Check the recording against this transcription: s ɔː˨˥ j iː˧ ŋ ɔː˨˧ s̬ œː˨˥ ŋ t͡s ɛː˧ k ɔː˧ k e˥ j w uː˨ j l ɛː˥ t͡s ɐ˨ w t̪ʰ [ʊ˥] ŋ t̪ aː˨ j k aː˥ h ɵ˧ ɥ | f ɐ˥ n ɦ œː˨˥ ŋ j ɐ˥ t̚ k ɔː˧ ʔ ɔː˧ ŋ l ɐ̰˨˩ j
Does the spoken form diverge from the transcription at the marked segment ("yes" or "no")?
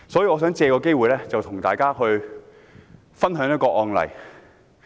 yes